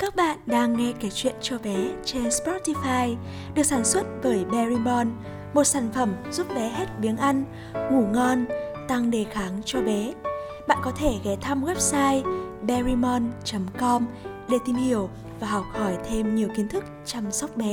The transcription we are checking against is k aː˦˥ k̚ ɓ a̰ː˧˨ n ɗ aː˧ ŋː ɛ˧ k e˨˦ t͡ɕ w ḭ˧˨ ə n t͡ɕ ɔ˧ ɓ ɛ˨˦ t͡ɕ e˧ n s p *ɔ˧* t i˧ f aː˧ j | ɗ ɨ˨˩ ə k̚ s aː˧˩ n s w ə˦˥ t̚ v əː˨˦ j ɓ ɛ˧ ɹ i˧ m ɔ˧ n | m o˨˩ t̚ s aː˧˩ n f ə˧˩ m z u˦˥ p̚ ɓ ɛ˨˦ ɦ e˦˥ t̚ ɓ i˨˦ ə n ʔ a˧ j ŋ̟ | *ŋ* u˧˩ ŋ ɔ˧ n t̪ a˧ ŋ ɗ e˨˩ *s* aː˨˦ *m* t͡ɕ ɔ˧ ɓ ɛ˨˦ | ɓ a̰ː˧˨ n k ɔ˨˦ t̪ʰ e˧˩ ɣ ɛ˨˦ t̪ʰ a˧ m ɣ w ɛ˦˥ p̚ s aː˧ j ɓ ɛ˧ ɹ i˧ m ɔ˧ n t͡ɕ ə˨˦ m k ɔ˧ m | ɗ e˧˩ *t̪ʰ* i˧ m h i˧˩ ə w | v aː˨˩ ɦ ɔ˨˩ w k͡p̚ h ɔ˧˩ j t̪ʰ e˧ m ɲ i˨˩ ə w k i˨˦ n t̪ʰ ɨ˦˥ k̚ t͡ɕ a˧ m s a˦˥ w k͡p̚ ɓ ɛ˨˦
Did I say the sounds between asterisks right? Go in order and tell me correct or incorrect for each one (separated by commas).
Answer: incorrect, correct, incorrect, incorrect, incorrect